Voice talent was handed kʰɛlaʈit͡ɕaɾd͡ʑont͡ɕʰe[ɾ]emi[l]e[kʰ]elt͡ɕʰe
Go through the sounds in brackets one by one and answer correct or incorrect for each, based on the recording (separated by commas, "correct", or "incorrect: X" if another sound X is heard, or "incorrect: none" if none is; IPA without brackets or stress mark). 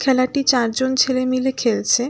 incorrect: l, correct, correct